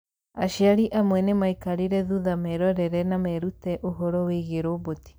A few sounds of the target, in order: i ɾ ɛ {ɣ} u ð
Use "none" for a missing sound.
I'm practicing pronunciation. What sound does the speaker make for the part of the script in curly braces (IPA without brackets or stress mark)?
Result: ð